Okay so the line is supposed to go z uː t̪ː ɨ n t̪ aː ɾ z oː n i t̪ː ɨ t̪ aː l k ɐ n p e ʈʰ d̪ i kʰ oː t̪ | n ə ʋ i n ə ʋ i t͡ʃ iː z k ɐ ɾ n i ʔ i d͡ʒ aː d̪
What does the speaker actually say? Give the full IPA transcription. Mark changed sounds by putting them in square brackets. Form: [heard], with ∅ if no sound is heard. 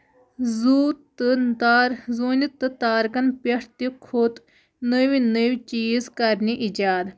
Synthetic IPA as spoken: z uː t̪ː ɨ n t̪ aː ɾ z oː n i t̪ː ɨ t̪ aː [ɾ] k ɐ n p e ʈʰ [t̪] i kʰ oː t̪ | n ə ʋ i n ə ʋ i t͡ʃ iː z k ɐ ɾ n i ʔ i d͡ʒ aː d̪